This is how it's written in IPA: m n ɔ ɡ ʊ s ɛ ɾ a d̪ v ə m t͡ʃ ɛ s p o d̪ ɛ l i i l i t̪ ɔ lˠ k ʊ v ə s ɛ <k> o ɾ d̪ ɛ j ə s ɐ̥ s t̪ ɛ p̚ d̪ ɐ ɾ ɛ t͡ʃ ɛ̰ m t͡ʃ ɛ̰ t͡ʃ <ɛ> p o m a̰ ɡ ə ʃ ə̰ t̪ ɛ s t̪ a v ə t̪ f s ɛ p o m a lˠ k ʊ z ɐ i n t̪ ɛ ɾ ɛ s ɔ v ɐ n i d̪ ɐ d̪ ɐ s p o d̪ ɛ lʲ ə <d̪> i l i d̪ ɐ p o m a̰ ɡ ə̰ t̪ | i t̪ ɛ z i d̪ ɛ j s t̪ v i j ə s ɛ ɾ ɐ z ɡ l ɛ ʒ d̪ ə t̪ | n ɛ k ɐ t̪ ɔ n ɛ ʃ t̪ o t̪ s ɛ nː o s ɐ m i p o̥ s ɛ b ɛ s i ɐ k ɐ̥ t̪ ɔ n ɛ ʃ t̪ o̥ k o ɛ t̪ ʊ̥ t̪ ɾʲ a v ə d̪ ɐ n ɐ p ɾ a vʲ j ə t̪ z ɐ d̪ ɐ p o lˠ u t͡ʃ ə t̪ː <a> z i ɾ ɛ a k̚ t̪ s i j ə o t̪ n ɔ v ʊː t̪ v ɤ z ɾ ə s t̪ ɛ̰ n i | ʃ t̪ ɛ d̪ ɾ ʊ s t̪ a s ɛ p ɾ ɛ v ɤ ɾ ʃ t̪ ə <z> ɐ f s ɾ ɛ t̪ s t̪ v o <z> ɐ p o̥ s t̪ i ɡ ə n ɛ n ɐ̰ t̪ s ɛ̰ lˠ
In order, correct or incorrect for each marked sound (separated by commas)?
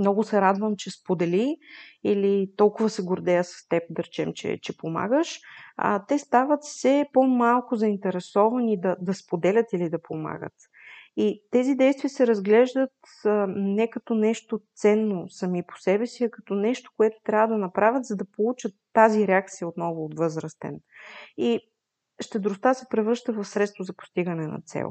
incorrect, correct, incorrect, correct, incorrect, correct